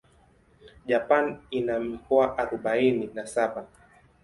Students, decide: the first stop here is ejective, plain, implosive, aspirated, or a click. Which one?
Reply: implosive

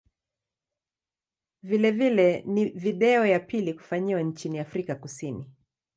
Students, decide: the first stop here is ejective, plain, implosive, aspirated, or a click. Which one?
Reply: implosive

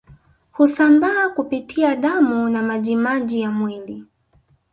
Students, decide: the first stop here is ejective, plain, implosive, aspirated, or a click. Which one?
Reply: plain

